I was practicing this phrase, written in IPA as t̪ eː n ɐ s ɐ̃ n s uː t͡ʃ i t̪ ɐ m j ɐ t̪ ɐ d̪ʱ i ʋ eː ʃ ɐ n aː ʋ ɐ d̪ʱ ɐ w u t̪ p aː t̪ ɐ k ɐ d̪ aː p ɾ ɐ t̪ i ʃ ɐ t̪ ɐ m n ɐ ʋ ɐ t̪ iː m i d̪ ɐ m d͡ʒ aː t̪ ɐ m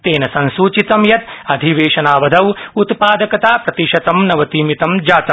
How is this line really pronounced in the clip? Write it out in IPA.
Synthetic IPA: t̪ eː n ɐ s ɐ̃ n s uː t͡ʃ i t̪ ɐ m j ɐ t̪ ɐ d̪ʱ i ʋ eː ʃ ɐ n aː ʋ ɐ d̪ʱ ɐ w u t̪ p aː d̪ ɐ k ɐ t̪ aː p ɾ ɐ t̪ i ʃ ɐ t̪ ɐ m n ɐ ʋ ɐ t̪ iː m i t̪ ɐ m d͡ʒ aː t̪ ɐ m